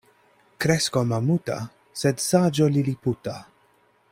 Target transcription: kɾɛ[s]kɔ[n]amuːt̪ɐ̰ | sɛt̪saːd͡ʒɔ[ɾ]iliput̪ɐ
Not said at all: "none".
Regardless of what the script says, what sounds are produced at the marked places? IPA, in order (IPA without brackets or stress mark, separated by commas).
s, m, l